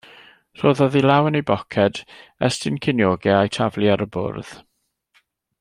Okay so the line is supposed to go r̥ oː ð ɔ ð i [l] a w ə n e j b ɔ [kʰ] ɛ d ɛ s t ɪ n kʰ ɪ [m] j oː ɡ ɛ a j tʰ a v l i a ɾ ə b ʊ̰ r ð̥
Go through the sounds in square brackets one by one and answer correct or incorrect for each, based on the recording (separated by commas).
correct, correct, incorrect